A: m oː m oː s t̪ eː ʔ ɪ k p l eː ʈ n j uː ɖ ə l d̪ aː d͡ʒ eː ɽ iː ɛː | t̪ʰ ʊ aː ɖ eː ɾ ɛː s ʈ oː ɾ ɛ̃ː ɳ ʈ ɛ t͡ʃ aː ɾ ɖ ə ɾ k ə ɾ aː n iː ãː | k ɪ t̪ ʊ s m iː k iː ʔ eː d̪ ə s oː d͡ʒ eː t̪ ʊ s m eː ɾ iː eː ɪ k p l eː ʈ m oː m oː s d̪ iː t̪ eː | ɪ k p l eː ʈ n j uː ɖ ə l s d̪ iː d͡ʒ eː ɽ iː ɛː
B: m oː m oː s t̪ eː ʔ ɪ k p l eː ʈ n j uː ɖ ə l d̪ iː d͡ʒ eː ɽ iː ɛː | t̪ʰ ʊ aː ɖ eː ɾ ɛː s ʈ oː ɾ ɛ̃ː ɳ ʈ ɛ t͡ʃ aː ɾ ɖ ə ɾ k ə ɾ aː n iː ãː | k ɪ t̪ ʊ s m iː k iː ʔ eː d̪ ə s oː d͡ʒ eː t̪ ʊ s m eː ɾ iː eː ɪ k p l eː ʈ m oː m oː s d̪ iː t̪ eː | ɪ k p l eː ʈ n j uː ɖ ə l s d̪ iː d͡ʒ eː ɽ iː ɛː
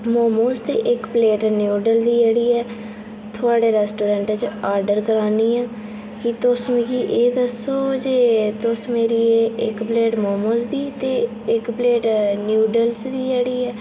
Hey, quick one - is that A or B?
B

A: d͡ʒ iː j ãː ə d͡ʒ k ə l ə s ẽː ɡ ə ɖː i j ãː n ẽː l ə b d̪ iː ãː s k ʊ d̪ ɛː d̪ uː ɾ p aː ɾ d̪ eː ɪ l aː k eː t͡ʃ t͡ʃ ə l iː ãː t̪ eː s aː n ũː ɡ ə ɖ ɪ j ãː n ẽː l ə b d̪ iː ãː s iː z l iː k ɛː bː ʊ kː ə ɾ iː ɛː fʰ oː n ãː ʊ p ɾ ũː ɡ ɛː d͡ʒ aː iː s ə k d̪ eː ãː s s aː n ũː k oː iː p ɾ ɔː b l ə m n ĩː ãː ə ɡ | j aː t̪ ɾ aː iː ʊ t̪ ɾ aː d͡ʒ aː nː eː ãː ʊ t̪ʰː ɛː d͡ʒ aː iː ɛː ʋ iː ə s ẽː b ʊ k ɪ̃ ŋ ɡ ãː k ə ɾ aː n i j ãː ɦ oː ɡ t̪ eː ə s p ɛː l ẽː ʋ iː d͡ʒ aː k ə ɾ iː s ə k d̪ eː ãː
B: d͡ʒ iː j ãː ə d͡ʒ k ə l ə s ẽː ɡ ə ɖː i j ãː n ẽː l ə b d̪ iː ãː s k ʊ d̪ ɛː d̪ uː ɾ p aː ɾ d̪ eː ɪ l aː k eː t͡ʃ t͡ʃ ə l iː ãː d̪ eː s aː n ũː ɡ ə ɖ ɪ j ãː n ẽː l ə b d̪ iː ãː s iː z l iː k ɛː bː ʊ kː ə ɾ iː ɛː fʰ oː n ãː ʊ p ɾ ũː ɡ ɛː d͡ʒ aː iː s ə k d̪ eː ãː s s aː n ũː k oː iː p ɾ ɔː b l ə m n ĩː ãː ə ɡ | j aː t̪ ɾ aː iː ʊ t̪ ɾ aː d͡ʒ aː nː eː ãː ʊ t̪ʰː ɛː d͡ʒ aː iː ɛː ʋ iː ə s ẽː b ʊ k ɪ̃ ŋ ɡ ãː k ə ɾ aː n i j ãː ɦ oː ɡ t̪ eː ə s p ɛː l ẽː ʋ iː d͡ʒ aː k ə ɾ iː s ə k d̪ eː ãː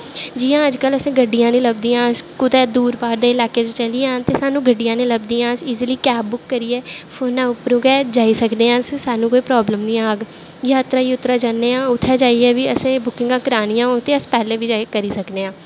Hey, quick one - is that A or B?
A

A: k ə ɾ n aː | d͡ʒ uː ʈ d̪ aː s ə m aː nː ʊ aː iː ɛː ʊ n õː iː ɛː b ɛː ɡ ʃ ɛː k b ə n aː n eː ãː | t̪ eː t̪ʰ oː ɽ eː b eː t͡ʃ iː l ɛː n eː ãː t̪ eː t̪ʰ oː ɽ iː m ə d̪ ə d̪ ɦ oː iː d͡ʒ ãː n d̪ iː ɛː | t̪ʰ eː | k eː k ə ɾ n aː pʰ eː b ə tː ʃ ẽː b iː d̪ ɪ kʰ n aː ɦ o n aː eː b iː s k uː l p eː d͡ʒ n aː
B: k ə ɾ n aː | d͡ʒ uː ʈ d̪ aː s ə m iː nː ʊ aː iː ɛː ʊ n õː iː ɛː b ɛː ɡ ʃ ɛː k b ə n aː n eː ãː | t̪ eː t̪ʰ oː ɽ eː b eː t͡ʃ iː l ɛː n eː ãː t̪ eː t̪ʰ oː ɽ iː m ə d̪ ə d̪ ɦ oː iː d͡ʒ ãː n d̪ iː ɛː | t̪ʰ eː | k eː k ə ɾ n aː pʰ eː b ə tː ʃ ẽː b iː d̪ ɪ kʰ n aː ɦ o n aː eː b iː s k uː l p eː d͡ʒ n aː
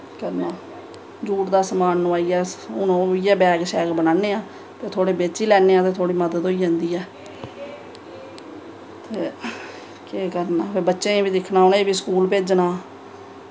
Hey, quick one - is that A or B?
A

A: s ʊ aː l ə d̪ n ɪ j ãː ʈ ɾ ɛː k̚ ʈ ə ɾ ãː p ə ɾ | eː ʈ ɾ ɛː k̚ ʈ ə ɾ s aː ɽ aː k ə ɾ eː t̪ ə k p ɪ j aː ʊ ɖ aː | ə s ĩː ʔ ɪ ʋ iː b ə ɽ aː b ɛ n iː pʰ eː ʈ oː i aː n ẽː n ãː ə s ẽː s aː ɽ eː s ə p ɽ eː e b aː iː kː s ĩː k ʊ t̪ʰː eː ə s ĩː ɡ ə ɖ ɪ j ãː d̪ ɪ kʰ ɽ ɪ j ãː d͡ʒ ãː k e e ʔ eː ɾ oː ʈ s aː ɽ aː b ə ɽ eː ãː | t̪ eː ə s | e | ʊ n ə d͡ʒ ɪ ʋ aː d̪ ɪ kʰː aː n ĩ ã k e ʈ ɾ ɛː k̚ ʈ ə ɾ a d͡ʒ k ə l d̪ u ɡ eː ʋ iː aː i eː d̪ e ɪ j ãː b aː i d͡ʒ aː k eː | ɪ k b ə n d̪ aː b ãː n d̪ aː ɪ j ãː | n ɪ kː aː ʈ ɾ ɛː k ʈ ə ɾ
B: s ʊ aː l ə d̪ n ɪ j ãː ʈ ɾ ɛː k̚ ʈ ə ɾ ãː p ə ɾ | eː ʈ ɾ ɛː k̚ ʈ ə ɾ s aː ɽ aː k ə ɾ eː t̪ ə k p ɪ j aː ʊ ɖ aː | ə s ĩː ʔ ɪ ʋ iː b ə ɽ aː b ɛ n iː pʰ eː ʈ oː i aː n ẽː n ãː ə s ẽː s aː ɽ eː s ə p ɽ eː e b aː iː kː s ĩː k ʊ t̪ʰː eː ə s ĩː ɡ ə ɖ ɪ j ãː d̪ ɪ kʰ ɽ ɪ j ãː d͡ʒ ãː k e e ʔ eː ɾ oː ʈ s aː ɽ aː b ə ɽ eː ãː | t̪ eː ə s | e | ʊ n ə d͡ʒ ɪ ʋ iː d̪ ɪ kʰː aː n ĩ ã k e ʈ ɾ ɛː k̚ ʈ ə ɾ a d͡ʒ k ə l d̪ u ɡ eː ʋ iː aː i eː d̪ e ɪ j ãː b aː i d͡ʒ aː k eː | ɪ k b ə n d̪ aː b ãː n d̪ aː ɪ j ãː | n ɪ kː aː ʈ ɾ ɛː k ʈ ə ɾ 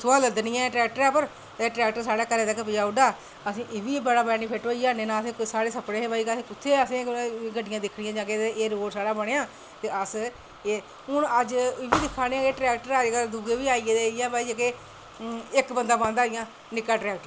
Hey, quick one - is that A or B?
B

